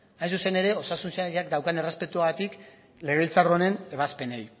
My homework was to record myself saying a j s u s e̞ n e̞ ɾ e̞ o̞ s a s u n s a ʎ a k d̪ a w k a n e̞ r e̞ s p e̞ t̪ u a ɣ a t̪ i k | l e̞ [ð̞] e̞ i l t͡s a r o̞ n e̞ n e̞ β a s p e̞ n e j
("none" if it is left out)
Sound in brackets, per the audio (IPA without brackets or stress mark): ɣ̞